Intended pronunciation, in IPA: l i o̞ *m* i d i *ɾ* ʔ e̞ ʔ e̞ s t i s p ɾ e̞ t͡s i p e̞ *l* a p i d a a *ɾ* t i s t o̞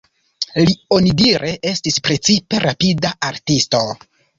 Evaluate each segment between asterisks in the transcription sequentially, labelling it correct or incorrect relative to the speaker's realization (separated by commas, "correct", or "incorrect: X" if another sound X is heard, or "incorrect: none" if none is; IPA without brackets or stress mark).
incorrect: n, correct, incorrect: ɾ, correct